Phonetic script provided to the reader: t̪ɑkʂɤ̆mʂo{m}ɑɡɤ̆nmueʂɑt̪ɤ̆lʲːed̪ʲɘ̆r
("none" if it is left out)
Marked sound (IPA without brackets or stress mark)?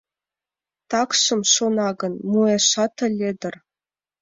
n